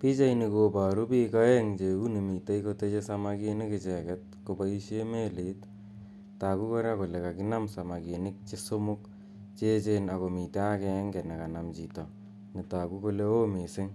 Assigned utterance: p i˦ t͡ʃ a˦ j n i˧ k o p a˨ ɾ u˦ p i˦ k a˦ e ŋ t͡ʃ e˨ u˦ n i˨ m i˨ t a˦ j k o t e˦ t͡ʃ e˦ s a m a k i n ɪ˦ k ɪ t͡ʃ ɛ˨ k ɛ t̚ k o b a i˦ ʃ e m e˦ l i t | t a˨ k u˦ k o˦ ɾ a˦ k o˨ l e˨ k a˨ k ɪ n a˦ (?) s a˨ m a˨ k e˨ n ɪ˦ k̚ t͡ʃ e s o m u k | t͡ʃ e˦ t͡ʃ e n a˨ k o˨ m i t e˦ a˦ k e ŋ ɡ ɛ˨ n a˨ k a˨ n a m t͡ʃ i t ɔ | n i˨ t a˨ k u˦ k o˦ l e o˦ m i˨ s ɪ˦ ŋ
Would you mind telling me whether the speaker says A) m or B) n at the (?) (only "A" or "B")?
A